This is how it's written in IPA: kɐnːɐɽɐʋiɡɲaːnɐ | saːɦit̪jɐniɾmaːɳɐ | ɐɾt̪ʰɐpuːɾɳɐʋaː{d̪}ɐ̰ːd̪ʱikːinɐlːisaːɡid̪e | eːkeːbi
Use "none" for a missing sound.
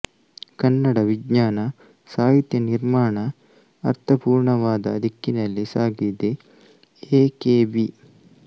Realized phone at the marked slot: d̪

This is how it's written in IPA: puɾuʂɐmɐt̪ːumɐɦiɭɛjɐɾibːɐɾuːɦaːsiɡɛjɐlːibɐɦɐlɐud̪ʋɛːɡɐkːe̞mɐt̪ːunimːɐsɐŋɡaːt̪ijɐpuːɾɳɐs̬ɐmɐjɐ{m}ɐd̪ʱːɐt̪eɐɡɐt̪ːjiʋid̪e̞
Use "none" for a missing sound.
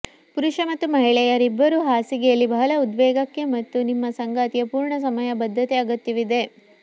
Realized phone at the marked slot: b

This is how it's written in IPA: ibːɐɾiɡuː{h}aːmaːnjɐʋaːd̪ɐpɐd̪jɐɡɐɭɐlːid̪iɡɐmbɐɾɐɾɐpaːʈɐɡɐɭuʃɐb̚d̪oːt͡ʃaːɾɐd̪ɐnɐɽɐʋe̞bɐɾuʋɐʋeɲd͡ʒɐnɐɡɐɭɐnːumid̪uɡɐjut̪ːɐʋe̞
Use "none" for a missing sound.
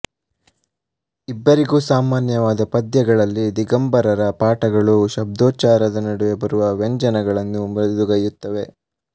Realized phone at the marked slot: s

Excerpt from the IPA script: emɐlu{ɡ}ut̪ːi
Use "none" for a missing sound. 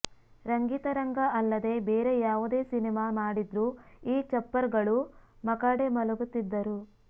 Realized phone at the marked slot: ɡ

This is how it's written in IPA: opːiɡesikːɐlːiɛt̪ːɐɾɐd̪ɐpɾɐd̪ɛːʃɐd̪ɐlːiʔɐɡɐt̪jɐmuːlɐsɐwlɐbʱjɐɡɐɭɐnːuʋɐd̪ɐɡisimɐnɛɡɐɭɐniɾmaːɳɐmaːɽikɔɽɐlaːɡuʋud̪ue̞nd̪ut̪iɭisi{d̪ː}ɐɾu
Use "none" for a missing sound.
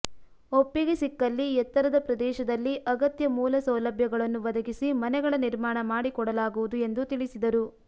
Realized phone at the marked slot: d̪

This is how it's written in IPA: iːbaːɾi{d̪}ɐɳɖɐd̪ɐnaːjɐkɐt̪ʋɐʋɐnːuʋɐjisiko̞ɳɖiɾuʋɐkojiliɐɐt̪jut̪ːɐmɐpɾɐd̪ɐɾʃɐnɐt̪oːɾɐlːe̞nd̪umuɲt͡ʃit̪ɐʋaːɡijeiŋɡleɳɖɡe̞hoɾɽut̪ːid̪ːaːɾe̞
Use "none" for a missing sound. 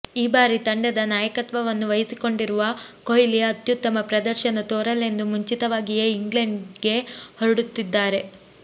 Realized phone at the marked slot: t̪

